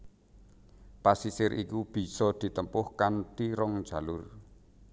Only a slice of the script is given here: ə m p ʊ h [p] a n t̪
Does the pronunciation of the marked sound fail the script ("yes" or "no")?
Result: yes